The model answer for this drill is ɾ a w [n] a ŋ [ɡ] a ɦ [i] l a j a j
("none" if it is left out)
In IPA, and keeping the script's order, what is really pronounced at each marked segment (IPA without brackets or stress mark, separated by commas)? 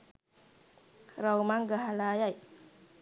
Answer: m, ɡ, a